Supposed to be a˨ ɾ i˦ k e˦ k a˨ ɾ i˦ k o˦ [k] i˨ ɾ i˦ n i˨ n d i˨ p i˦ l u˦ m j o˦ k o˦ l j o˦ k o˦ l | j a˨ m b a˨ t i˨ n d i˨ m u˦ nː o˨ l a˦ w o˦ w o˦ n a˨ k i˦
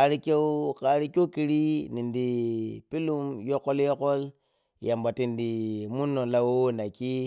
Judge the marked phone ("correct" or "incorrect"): correct